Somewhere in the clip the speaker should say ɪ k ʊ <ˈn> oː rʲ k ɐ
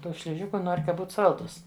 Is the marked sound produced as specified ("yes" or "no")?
yes